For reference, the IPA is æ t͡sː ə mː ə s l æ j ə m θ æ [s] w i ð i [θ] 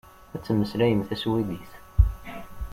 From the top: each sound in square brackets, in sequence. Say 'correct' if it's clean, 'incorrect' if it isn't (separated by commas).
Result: correct, correct